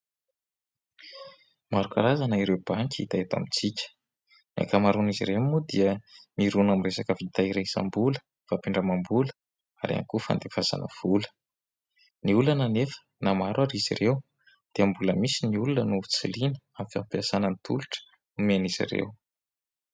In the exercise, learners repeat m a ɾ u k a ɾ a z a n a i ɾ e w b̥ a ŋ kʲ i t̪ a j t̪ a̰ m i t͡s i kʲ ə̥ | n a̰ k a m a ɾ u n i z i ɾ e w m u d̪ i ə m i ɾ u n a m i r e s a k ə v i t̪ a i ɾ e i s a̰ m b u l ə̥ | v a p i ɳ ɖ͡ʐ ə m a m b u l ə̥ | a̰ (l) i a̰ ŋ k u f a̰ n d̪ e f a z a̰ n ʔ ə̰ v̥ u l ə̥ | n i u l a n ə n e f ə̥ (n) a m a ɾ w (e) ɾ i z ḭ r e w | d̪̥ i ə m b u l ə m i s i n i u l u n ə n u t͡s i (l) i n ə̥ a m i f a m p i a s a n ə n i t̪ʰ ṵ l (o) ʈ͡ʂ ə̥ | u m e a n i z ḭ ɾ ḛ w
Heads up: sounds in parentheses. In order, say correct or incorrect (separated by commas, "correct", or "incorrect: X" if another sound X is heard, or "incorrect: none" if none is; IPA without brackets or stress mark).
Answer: incorrect: ɾ, correct, incorrect: a, correct, incorrect: u